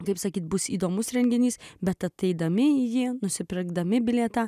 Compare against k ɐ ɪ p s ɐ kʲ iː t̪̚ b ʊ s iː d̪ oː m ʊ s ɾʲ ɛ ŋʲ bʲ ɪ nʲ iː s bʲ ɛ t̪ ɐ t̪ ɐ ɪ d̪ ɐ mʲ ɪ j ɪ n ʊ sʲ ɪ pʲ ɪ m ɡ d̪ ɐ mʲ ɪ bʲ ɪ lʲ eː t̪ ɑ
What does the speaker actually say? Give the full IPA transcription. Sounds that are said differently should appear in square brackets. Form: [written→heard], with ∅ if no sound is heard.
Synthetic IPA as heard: k ɐ ɪ p s ɐ kʲ iː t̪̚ b ʊ s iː d̪ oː m ʊ s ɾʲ ɛ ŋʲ [bʲ→ɡʲ] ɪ nʲ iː s bʲ ɛ t̪ ɐ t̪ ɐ ɪ d̪ ɐ mʲ ɪ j ɪ n ʊ sʲ ɪ pʲ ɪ [m→∅] ɡ d̪ ɐ mʲ ɪ bʲ ɪ lʲ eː t̪ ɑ